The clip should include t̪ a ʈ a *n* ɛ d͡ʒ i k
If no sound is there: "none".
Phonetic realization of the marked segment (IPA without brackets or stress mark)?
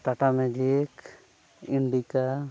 m